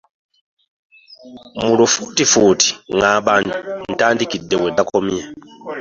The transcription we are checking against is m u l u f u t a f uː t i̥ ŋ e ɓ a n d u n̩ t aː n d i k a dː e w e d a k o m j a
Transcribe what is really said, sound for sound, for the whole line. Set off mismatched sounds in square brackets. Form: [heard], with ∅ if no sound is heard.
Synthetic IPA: m u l u f u t [i] f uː t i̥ ŋ [a] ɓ a n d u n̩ t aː n d i k [i] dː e w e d a k o m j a